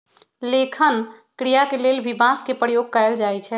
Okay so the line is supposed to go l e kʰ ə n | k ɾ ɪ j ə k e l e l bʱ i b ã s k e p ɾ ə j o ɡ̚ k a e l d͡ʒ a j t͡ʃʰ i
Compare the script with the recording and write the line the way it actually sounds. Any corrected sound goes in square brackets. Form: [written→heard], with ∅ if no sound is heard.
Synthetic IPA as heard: l e kʰ ə n | k ɾ [ɪ→i] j [ə→a] k e l e l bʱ i b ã s k e p ɾ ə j o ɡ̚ k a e l d͡ʒ a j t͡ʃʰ [i→ɛ]